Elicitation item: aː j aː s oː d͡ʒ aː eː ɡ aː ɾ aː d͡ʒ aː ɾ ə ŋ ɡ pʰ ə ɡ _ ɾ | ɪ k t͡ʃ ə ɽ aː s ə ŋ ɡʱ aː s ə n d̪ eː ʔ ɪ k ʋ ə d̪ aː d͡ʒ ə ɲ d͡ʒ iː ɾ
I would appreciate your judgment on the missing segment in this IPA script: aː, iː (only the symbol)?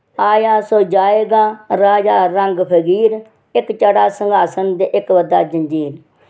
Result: iː